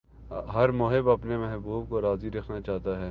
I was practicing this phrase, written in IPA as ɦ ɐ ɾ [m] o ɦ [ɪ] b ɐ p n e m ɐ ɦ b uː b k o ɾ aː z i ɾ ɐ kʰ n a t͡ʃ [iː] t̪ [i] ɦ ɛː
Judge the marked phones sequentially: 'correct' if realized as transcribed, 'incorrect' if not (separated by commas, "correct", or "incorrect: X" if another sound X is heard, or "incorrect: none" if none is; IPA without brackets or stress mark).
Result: correct, correct, incorrect: aː, incorrect: a